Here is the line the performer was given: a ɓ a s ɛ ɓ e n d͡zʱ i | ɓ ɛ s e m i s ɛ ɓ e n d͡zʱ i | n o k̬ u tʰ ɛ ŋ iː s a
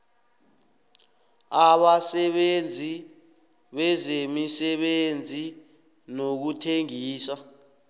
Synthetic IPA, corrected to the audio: a ɓ a s ɛ ɓ e n d͡zʱ i | ɓ ɛ z e m i s ɛ ɓ e n d͡zʱ i | n o k̬ u tʰ e ŋ iː s a